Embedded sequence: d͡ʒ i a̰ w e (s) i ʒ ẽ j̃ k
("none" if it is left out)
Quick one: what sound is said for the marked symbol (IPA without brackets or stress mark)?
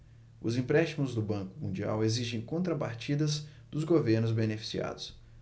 z